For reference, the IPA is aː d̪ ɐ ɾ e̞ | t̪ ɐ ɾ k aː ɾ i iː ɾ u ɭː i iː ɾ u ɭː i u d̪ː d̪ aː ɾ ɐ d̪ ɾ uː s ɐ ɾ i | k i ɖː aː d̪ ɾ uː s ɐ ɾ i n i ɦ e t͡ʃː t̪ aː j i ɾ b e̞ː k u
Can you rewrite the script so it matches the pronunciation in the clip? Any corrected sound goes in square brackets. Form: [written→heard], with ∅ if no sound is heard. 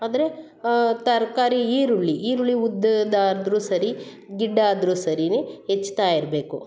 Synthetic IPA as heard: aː d̪ ɐ ɾ e̞ | t̪ ɐ ɾ k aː ɾ i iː ɾ u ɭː i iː ɾ u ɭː i u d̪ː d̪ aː ɾ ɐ d̪ ɾ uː s ɐ ɾ i | [k→ɡ] i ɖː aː d̪ ɾ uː s ɐ ɾ i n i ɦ e t͡ʃː t̪ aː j i ɾ b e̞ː k u